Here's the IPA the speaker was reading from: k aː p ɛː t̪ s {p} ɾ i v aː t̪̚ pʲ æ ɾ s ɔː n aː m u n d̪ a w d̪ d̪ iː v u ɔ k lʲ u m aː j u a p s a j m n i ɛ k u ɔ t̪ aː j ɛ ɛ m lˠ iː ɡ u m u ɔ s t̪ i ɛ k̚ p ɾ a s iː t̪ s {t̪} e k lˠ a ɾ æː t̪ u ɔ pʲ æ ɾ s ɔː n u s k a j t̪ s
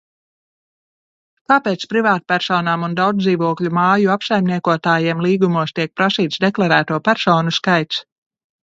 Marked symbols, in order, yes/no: yes, no

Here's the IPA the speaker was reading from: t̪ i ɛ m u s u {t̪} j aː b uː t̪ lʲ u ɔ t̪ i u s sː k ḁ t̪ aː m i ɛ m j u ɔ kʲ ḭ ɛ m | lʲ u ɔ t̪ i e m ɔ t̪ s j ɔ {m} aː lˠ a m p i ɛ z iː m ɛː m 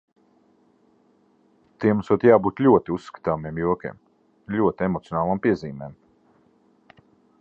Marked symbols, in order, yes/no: yes, no

